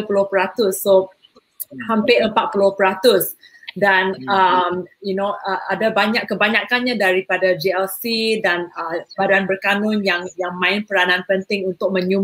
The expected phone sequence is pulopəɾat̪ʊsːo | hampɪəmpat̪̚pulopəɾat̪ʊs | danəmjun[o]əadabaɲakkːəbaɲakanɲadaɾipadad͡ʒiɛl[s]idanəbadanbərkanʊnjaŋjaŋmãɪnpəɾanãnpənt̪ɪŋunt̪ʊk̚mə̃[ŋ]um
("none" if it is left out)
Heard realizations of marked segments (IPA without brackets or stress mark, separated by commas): o, s, ɲ